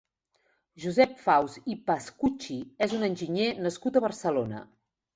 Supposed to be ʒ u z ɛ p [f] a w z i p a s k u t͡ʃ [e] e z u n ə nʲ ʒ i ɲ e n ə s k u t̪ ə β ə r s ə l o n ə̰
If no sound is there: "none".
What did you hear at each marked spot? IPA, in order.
f, i

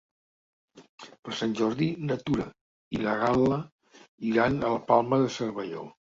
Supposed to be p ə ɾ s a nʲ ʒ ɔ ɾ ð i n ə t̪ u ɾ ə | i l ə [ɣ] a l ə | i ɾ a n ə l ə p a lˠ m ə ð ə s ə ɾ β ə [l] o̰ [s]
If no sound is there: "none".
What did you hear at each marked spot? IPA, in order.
ɣ, ʎ, none

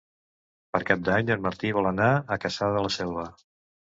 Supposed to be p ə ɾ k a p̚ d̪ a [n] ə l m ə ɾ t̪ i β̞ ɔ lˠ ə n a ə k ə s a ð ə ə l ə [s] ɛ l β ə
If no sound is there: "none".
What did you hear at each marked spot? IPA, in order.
ɲ, s

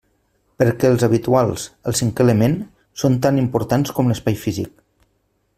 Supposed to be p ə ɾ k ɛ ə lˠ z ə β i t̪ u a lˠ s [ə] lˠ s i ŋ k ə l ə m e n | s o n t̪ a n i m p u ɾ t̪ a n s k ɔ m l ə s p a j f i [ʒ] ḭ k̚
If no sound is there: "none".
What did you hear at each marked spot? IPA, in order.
ə, z

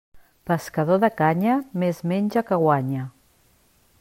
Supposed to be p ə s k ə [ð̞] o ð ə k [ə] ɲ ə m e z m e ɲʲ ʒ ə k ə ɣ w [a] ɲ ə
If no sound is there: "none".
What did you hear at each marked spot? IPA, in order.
ð̞, a, a

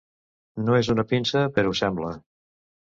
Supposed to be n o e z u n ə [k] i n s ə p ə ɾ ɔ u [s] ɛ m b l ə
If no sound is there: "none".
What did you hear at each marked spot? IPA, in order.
p, s

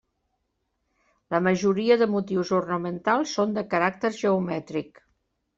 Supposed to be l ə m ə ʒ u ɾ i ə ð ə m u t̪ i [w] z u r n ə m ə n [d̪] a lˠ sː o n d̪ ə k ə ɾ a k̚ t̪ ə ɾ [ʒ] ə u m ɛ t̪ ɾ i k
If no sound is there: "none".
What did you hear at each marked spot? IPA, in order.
w, t̪, ʒ

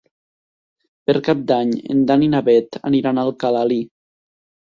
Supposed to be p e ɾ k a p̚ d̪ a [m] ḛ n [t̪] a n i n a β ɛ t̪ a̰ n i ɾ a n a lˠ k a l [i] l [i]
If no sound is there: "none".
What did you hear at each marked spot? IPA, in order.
ɲ, d̪, a, i

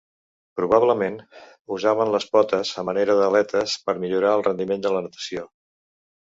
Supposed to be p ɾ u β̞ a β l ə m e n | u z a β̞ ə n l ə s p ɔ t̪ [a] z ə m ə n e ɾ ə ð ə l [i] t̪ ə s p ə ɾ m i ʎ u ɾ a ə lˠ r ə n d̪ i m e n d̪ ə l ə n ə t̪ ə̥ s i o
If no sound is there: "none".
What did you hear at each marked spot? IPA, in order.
ə, ɛ

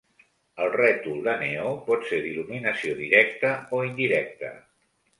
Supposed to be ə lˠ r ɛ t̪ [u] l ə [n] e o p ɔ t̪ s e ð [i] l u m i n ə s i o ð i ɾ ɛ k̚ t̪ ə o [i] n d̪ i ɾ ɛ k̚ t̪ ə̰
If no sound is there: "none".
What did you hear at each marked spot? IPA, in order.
u, n, i, i

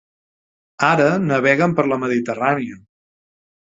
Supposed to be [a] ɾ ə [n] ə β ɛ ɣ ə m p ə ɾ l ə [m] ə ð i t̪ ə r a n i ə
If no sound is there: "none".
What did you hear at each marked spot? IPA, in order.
a, n, m

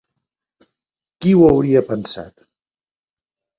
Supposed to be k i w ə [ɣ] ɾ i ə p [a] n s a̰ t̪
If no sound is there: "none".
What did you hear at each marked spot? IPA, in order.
w, ə

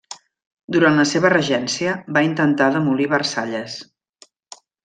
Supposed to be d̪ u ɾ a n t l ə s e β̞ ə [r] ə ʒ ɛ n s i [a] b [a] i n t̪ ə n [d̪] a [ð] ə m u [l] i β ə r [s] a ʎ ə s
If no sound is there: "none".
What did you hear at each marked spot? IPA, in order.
r, ə, a, t̪, ð, l, s

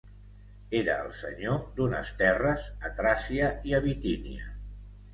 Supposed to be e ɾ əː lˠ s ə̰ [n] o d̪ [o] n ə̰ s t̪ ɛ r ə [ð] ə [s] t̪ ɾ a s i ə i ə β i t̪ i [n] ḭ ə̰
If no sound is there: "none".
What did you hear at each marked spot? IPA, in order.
ɲ, u, z, none, n

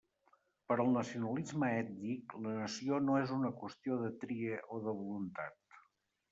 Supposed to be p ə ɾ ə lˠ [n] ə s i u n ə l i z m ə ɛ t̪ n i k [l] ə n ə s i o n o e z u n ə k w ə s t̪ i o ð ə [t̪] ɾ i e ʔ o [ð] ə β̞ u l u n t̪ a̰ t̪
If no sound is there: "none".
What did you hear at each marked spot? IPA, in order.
n, l, t̪, ð

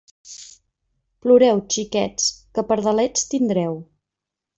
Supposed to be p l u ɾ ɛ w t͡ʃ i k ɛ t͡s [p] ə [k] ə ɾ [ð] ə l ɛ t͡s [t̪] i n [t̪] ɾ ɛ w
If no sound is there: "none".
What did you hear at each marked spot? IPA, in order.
k, p, ð, t̪, d̪

